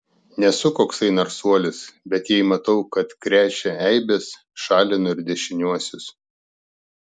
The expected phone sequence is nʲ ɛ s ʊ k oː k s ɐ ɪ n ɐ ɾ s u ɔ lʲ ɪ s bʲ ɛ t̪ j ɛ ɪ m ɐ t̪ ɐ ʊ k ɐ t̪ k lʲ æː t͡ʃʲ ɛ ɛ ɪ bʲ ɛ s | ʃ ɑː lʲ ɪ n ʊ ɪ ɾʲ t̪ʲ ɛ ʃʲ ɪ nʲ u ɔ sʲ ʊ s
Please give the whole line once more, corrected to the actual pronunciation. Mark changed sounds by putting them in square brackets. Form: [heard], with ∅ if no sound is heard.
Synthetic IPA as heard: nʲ ɛ s ʊ k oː k s ɐ ɪ n ɐ ɾ s u ɔ lʲ ɪ s bʲ ɛ t̪ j ɛ ɪ m ɐ t̪ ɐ ʊ k ɐ t̪ k [ɾʲ] æː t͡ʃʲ ɛ ɛ ɪ bʲ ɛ s | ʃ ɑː lʲ ɪ n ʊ ɪ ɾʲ [d̪ʲ] ɛ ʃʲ ɪ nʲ u ɔ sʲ ʊ s